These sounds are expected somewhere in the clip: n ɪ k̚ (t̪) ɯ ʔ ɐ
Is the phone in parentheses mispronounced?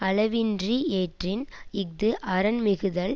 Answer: yes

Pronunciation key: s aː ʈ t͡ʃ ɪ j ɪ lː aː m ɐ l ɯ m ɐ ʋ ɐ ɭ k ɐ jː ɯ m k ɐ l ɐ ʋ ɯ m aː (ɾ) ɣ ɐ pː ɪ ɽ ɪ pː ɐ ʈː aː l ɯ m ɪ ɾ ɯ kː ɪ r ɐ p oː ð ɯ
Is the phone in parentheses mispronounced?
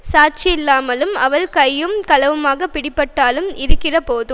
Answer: yes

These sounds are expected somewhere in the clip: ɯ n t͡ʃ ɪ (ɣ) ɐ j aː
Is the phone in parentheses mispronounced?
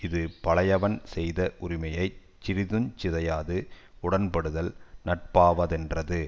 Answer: yes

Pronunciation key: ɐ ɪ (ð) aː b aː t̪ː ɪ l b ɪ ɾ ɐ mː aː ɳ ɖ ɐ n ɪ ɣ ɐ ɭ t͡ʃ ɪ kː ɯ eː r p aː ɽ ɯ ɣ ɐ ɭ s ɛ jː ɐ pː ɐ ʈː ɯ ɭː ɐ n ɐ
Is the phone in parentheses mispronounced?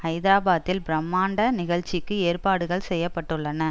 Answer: no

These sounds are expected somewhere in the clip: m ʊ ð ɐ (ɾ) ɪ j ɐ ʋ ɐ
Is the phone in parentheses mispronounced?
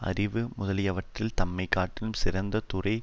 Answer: yes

